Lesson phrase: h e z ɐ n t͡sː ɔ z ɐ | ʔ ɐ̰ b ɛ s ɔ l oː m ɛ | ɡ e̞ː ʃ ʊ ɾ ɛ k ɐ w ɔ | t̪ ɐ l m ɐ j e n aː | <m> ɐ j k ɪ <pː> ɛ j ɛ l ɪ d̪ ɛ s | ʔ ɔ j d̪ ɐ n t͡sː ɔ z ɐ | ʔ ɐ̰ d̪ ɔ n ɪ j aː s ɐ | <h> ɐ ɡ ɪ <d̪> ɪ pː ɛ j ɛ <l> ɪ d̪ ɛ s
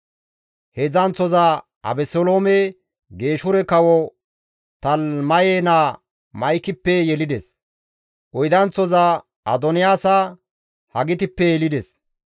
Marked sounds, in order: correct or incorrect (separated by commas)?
correct, correct, correct, incorrect, correct